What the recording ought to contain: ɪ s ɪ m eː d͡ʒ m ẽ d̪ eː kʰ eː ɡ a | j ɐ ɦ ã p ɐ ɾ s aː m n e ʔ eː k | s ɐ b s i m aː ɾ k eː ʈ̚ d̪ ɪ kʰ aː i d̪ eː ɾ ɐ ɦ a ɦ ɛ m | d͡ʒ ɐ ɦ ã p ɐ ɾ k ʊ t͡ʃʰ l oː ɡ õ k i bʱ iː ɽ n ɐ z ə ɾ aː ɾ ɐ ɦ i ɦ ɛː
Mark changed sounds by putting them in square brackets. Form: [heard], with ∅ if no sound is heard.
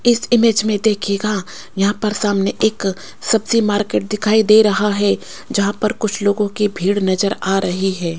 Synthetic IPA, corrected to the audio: ɪ s ɪ m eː d͡ʒ m ẽ d̪ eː kʰ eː ɡ a | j ɐ ɦ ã p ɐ ɾ s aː m n e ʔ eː k | s ɐ b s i m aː ɾ k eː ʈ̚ d̪ ɪ kʰ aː i d̪ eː ɾ ɐ ɦ a ɦ ɛ [∅] | d͡ʒ ɐ ɦ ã p ɐ ɾ k ʊ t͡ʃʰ l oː ɡ õ k i bʱ iː ɽ n ɐ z ə ɾ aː ɾ ɐ ɦ i ɦ ɛː